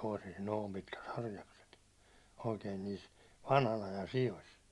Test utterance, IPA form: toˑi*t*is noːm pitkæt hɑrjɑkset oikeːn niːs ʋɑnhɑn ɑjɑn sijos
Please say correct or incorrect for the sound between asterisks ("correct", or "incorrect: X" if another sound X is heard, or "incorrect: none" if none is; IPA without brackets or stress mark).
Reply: incorrect: s